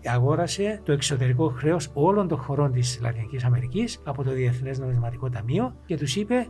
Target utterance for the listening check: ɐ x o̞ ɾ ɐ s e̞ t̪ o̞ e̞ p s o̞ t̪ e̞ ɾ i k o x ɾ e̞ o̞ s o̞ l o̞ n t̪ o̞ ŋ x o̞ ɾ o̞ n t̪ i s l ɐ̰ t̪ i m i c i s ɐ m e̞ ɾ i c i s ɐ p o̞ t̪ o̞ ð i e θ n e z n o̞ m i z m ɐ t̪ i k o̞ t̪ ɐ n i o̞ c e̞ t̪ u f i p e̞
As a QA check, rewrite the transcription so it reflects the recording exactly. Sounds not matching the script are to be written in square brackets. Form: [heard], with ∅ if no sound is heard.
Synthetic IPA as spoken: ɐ [ɣ] o̞ ɾ ɐ s e̞ t̪ o̞ e̞ [k] s o̞ t̪ e̞ ɾ i k o x ɾ e̞ o̞ s o̞ l o̞ n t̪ o̞ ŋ x o̞ ɾ o̞ n t̪ i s l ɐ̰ t̪ i [n] i c i s ɐ m e̞ ɾ i c i s ɐ p o̞ t̪ o̞ ð i e θ n e z n o̞ m i z m ɐ t̪ i k o̞ t̪ ɐ [m] i o̞ c e̞ t̪ u [s] i p e̞